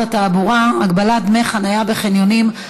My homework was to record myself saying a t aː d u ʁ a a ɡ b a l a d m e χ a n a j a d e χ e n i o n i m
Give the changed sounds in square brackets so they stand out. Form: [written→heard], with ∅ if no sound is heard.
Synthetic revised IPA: a t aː [d→b] u ʁ a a ɡ b a l a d m e χ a n a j a [d→b] e χ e n [i→j] o n i m